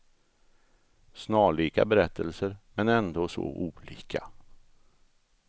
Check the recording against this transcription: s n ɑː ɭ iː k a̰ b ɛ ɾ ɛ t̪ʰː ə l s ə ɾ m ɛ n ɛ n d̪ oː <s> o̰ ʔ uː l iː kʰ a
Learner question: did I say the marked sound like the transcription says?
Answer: yes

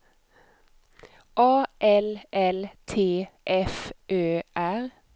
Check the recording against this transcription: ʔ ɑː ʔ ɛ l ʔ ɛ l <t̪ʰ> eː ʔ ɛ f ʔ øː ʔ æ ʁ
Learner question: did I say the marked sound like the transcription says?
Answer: yes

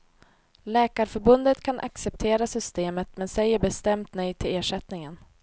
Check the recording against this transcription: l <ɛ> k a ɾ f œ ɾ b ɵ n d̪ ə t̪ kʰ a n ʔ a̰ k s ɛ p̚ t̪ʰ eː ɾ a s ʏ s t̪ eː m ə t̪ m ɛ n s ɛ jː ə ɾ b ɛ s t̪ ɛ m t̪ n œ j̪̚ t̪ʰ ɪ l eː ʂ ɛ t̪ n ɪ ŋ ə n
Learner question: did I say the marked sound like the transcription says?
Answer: no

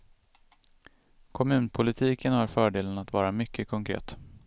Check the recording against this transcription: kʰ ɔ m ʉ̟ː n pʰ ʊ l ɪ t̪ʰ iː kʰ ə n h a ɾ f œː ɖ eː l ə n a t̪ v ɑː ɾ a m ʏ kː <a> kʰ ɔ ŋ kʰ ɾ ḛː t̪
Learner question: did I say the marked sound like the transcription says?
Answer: no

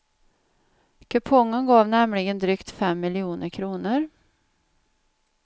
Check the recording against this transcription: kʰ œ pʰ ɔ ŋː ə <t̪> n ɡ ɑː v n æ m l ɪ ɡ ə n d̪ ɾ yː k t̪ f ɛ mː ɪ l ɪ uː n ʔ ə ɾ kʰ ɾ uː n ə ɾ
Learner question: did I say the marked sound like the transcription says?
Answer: no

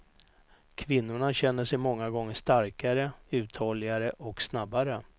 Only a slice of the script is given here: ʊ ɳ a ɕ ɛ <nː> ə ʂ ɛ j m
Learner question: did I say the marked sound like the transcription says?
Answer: yes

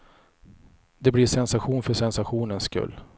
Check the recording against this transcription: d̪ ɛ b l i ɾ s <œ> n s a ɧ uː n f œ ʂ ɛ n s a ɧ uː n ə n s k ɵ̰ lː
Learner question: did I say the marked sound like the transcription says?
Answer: no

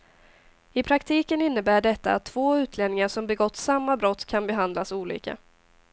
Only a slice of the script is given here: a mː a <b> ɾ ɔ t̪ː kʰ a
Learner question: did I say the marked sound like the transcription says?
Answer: yes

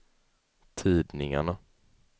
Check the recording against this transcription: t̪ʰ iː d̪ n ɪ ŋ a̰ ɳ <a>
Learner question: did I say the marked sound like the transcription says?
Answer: yes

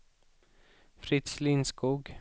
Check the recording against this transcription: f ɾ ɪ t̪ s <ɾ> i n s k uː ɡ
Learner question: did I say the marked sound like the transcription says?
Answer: no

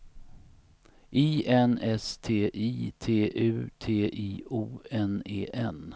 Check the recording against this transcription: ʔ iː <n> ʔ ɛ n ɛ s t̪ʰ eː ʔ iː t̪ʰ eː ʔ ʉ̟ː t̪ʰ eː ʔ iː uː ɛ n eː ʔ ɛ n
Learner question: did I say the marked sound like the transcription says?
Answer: no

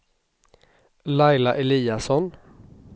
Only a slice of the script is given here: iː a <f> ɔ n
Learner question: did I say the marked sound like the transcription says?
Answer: no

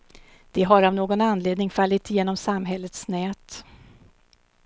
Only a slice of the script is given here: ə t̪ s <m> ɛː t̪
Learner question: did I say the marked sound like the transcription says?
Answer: no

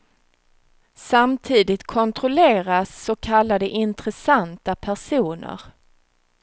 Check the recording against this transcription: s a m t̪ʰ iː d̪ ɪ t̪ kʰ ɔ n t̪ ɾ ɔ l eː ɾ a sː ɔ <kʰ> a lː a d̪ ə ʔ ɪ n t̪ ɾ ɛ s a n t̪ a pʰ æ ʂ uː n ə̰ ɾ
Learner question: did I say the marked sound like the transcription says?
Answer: yes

